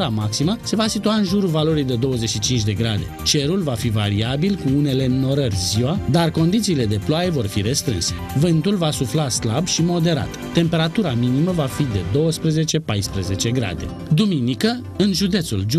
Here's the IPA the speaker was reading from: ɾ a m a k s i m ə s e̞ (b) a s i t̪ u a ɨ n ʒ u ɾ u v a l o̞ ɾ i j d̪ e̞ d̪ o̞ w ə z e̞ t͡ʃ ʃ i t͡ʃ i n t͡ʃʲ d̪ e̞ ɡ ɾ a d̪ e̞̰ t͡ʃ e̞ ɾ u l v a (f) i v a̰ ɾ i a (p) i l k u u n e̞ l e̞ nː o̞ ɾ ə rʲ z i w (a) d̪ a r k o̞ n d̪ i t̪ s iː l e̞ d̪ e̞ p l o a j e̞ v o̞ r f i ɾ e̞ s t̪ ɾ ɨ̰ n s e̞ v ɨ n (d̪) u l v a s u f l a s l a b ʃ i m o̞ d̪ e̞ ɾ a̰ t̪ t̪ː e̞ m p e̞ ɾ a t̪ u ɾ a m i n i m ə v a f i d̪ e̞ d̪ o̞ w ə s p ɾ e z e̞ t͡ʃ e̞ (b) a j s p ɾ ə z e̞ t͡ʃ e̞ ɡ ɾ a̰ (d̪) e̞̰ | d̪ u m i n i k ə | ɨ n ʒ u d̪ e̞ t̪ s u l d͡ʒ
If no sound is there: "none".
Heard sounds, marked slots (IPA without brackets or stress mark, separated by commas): v, f, b, a, t̪, p, d̪